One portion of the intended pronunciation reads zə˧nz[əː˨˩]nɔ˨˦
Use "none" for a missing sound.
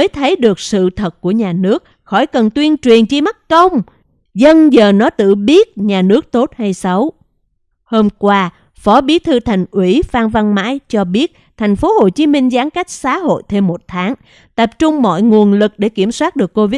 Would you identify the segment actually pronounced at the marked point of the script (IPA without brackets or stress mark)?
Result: əː˨˩